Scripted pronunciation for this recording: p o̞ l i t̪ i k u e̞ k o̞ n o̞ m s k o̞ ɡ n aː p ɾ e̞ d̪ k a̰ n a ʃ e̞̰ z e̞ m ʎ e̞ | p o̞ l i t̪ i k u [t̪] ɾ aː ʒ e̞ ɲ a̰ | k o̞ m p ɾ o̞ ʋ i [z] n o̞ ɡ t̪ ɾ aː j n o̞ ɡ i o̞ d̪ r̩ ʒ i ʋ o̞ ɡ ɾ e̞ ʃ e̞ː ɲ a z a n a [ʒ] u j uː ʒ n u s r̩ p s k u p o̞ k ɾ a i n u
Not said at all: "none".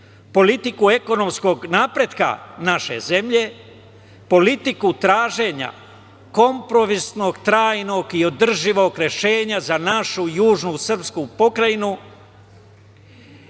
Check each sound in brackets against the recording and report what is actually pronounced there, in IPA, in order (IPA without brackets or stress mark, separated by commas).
t̪, s, ʃ